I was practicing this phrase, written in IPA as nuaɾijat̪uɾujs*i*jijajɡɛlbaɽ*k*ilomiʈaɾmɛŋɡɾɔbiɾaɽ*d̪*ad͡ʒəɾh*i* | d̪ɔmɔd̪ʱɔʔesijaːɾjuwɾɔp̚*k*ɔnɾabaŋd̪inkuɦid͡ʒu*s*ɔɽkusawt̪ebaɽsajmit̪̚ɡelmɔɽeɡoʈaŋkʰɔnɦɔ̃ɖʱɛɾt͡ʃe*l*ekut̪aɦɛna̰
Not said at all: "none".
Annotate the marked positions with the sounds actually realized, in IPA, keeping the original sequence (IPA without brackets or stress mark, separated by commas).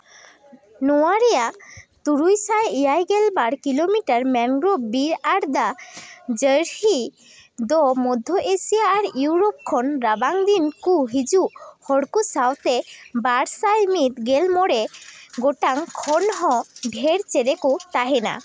a, k, d̪, i, kʰ, h, ɾ